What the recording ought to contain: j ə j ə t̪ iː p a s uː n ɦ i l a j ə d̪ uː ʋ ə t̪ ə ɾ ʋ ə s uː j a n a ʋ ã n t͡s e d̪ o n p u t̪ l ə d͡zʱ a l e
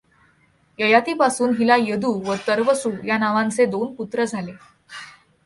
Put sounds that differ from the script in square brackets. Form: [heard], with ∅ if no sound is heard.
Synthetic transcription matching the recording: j ə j [a] t̪ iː p a s uː n ɦ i l a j ə d̪ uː ʋ ə t̪ ə ɾ ʋ ə s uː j a n a ʋ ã n t͡s e d̪ o n p u t̪ [ɾ] ə d͡zʱ a l e